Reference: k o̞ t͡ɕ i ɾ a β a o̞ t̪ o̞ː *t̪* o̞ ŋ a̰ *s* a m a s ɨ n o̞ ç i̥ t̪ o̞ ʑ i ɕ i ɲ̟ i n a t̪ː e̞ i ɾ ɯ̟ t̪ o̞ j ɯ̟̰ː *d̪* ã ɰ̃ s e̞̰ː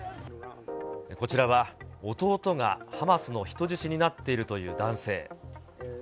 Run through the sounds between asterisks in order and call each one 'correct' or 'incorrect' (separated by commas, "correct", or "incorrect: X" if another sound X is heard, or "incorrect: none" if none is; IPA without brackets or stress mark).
correct, incorrect: h, correct